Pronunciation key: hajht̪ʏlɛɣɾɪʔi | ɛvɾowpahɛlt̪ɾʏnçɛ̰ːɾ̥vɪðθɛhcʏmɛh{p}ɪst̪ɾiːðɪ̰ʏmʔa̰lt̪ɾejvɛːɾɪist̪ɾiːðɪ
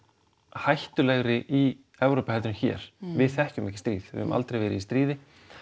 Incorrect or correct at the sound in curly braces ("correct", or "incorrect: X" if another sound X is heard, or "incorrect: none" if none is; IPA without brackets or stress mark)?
incorrect: c